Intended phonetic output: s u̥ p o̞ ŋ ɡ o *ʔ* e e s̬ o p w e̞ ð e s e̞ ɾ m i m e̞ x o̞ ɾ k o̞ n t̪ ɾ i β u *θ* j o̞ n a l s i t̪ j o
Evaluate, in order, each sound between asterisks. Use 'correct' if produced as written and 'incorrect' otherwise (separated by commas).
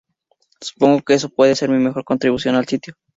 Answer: incorrect, incorrect